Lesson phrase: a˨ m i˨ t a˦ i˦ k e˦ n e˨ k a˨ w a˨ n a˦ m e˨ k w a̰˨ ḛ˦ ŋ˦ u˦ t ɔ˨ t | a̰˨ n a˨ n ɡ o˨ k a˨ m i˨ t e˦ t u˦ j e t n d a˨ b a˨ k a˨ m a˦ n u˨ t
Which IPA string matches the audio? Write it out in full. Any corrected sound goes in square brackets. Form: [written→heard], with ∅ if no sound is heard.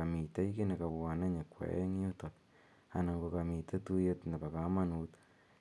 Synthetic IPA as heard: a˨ m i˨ t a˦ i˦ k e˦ n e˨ k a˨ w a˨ n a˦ [m→ɲ] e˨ k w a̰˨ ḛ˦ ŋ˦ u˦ t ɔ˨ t | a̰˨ n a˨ [n→ŋ] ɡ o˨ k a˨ m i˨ t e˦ t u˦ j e t n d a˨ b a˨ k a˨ m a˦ n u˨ t